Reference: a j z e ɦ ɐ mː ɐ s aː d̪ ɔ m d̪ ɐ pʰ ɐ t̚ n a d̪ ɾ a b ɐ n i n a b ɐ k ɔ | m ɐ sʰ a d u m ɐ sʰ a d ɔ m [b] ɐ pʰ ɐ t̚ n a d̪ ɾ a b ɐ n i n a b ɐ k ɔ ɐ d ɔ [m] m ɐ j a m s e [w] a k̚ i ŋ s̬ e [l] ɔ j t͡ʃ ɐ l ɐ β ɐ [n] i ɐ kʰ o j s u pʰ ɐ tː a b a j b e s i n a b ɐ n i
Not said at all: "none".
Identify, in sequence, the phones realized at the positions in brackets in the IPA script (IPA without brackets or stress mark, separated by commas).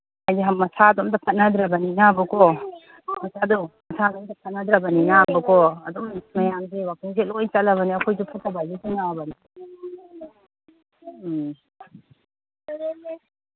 d, m, w, l, n